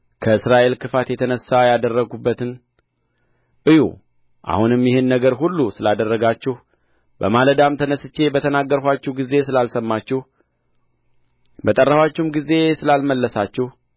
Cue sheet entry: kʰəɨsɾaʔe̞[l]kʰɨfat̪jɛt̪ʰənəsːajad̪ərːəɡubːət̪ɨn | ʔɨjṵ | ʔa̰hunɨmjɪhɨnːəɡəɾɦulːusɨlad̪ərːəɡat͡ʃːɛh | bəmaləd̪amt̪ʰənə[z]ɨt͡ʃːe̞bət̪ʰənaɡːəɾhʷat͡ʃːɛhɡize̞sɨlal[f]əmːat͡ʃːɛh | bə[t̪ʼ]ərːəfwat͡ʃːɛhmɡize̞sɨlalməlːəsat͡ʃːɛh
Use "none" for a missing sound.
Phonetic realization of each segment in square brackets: l, s, s, t̪ʼ

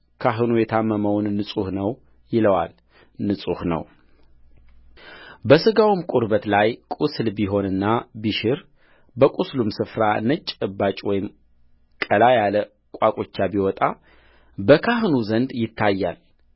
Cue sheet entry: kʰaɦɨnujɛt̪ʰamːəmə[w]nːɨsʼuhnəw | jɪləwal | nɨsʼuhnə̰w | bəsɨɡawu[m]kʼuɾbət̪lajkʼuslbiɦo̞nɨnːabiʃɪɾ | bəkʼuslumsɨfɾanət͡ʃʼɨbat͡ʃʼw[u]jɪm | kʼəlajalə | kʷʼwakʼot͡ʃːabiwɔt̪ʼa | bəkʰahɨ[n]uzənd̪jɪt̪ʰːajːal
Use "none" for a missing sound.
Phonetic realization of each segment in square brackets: w, m, ɔ, n

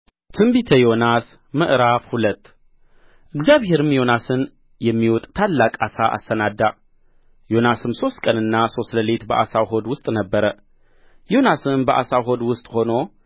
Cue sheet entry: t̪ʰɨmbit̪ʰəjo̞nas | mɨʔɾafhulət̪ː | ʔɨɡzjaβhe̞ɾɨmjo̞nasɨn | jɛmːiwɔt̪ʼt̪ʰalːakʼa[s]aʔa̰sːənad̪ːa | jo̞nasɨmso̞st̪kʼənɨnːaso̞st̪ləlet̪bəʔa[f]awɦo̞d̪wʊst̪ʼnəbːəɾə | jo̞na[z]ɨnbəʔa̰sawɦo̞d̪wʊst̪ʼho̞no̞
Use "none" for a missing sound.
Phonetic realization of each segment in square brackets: s, s, s

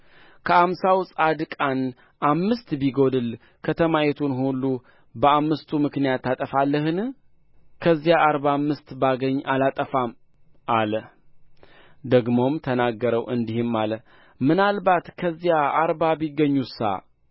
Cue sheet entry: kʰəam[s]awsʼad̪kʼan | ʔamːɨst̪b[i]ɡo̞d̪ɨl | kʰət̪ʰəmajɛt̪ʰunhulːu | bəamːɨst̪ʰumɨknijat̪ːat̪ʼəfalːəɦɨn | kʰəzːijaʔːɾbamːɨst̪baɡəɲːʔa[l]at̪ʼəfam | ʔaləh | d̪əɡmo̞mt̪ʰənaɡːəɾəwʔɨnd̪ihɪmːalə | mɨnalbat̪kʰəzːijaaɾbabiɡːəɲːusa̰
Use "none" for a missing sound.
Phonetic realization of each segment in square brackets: s, i, l

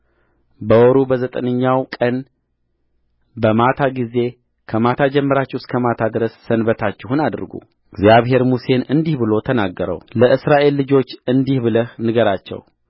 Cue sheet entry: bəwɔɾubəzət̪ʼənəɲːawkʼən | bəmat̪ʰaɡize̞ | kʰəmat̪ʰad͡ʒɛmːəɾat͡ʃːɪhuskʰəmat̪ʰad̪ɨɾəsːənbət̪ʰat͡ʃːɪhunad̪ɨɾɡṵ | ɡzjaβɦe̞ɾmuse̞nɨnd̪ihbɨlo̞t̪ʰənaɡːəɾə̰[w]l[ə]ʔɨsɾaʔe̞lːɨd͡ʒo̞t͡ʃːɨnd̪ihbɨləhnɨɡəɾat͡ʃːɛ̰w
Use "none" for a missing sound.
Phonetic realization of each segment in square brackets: w, ə

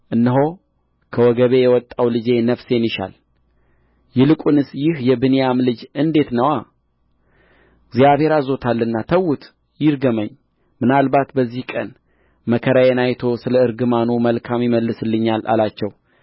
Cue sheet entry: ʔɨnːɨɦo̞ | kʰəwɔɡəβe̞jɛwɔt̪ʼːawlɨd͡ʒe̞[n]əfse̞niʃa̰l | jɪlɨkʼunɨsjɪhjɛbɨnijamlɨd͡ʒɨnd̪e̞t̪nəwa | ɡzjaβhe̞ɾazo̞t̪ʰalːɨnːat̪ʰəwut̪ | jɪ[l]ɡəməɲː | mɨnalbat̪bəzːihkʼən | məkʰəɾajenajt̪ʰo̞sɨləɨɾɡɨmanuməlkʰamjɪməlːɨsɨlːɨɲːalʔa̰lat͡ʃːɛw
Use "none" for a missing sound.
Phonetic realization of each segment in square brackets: n, ɾ

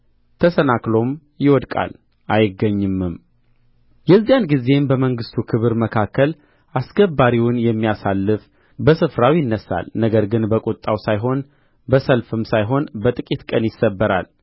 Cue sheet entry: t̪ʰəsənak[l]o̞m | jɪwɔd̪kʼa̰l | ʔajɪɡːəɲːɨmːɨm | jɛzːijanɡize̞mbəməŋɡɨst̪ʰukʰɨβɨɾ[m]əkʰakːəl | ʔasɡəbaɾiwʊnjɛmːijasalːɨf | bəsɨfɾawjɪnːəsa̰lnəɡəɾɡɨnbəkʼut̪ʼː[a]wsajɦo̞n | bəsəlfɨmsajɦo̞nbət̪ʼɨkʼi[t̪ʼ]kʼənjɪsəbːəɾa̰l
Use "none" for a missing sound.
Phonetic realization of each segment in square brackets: l, m, a, t̪

